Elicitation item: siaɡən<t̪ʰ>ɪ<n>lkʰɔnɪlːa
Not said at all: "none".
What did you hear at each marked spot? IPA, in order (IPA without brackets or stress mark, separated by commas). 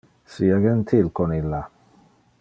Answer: t̪ʰ, none